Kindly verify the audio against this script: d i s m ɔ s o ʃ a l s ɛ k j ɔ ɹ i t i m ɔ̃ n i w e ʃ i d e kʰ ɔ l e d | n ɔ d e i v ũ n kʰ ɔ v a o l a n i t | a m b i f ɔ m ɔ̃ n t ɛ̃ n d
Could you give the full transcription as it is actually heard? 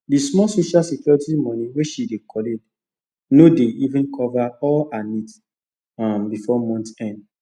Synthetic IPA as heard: d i s m ɔ s o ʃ a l s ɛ k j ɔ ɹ i t i m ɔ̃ n i w e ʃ i d e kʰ ɔ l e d | n o d e i v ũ n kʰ ɔ v a ɔ l a n i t | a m b i f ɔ m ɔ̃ n t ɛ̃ n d